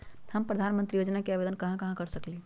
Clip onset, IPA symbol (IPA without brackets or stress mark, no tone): h